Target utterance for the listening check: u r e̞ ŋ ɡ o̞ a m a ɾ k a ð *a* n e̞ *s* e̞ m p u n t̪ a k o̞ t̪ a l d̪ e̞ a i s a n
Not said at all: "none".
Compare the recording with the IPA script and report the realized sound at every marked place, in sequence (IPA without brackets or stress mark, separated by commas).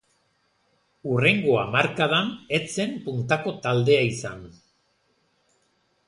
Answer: a, t͡s